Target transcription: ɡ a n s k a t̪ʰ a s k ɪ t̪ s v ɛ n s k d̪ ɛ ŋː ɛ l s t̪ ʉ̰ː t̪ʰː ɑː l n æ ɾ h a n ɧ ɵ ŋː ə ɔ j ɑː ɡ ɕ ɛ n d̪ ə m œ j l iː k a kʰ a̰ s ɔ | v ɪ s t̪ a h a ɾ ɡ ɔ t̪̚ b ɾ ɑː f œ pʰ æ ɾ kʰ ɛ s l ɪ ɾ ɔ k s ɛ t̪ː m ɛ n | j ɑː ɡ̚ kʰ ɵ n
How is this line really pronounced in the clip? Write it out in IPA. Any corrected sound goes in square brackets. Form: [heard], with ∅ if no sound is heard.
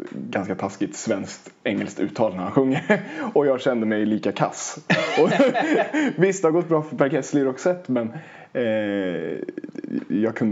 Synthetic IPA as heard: ɡ a n s k a t̪ʰ a s k ɪ t̪ s v ɛ n s k [t̪] ɛ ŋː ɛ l s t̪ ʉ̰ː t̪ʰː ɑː l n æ ɾ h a n ɧ ɵ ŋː ə ɔ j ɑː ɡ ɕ ɛ n d̪ ə m [ɛ] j l iː k a kʰ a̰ s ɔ | v ɪ s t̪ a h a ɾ ɡ ɔ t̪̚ b ɾ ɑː f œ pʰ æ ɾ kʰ ɛ s l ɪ ɾ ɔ k s ɛ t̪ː m ɛ n | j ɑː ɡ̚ kʰ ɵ n